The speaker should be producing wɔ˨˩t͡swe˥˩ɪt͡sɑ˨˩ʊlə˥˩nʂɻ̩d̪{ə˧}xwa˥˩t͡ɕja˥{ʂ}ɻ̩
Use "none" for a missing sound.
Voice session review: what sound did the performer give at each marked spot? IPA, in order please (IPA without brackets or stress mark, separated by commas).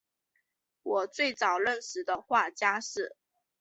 ə˧, ʂ